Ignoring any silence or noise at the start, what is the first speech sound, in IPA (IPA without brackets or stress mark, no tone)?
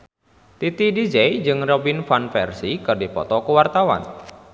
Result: t̪